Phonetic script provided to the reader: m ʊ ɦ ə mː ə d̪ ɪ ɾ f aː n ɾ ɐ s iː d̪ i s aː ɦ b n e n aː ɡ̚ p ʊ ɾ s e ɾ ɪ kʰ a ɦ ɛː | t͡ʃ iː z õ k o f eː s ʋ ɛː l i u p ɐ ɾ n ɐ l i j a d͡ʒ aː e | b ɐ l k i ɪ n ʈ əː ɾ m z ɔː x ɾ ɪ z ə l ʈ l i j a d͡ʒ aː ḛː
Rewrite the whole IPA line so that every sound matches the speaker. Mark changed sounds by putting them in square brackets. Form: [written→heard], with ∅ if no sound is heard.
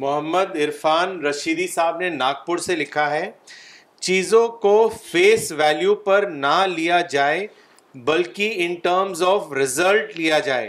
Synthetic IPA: m ʊ ɦ ə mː ə d̪ ɪ ɾ f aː n ɾ ɐ [s→ʃ] iː d̪ i s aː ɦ b n e n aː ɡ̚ p ʊ ɾ s e [ɾ→l] ɪ kʰ a ɦ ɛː | t͡ʃ iː z õ k o f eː s ʋ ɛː l [i→j] u p ɐ ɾ n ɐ l i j a d͡ʒ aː e | b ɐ l k i ɪ n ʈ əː ɾ m z ɔː [x→f] ɾ ɪ z ə l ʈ l i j a d͡ʒ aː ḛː